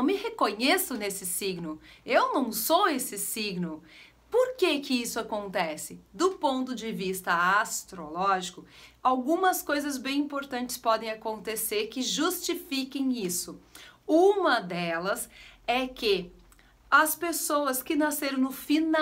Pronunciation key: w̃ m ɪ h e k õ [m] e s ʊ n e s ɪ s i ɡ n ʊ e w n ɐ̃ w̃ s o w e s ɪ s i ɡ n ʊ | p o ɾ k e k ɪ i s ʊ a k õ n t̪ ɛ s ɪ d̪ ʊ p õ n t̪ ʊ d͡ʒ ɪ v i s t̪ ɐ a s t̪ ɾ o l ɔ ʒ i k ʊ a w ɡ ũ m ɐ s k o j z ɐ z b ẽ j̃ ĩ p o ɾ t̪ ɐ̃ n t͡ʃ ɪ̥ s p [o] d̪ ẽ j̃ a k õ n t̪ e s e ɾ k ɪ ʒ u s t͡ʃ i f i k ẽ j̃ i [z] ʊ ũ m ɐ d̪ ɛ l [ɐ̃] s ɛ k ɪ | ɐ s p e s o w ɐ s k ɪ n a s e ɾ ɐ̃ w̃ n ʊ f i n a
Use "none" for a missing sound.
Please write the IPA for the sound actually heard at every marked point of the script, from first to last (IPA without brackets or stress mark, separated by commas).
ɲ, ɔ, s, ɐ